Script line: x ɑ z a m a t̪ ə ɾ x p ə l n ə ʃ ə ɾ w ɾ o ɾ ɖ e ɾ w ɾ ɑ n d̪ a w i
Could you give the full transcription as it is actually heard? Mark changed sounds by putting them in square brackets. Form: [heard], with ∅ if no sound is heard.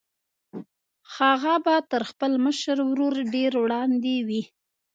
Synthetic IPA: x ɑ [ɣ] a [b] a t̪ ə ɾ x p ə l [m] ə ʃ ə ɾ w ɾ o ɾ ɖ e ɾ w [ɽ] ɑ n d̪ [e] w i